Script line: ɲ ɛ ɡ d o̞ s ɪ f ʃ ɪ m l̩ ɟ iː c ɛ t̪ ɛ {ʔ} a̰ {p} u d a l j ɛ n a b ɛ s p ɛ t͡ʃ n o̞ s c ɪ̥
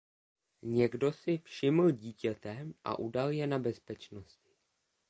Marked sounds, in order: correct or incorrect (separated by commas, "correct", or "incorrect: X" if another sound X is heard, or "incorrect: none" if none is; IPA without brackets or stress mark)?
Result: correct, incorrect: ʔ